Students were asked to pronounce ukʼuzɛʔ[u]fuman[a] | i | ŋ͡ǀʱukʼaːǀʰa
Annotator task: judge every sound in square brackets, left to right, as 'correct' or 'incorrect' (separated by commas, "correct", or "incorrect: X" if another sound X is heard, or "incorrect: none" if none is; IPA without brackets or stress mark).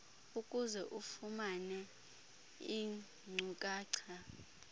correct, incorrect: ɛ